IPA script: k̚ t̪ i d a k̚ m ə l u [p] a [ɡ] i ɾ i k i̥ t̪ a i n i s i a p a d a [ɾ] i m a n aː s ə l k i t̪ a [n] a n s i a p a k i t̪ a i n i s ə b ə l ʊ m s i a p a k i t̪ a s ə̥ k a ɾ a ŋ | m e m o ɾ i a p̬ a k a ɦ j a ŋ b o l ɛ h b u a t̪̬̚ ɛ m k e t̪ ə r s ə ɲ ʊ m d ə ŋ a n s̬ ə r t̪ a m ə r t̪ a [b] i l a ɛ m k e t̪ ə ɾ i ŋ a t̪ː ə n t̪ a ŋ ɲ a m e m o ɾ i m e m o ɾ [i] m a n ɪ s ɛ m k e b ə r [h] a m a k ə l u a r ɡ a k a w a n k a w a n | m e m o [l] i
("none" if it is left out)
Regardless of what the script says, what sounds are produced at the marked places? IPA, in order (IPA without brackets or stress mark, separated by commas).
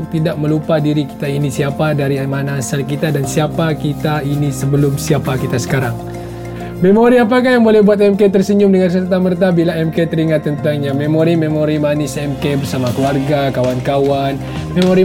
p, d, ɾ, d, b, i, s, ɾ